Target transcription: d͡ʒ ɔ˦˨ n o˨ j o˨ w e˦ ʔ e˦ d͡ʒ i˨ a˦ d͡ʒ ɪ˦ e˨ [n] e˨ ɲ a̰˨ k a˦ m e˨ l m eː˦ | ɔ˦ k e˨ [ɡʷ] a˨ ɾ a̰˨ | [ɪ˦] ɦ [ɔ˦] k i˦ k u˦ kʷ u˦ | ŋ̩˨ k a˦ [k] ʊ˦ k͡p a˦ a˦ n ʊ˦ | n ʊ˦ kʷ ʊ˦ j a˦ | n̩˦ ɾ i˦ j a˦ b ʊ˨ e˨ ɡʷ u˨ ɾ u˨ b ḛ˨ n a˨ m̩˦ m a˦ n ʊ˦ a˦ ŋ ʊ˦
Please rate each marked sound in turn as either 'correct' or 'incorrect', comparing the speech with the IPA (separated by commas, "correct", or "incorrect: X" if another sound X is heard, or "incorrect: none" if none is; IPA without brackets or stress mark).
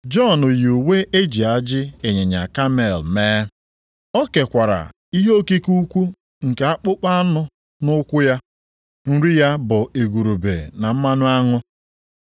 incorrect: ɲ, incorrect: kʷ, incorrect: i˦, incorrect: o˦, incorrect: k͡p